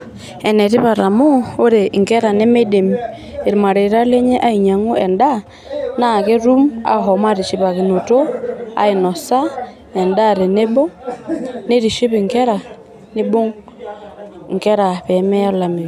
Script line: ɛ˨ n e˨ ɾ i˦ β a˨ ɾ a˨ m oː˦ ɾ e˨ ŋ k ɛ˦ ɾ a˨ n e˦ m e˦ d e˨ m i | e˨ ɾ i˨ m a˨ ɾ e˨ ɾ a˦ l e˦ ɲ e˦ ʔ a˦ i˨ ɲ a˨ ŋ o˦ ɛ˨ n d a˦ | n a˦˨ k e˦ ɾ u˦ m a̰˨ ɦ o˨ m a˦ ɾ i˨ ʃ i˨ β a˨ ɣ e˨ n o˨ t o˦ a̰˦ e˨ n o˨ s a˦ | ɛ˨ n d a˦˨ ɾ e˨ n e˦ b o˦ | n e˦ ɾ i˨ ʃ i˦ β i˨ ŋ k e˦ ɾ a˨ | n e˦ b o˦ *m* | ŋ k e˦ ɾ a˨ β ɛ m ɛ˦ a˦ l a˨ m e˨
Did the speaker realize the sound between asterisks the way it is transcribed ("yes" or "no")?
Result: no